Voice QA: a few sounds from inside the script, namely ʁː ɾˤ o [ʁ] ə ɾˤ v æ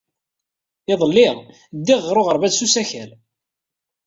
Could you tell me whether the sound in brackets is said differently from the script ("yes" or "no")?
no